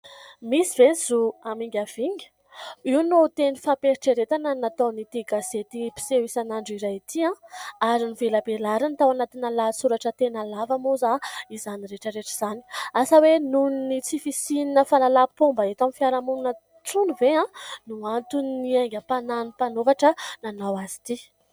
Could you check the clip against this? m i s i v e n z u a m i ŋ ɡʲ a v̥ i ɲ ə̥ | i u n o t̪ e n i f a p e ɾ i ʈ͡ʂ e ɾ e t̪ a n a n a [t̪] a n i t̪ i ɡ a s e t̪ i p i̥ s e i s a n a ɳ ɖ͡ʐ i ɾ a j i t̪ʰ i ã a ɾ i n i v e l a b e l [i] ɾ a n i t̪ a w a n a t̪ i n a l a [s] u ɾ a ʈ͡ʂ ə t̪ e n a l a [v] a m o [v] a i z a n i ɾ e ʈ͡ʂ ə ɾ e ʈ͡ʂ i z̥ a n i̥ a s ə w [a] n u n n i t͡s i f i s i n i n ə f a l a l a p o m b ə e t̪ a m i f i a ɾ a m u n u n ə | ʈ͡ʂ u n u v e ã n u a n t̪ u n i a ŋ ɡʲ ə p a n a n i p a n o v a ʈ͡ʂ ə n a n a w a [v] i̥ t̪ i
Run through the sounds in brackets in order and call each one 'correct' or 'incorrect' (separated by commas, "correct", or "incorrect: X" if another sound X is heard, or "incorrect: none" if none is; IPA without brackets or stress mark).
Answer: correct, incorrect: a, correct, correct, incorrect: z, incorrect: e, incorrect: z